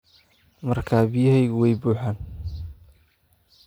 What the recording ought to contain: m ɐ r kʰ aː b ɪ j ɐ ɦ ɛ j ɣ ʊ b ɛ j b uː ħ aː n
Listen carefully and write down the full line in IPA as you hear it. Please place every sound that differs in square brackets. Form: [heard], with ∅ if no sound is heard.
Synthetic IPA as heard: m ɐ r kʰ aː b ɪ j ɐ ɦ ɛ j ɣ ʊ [w] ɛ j b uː ħ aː n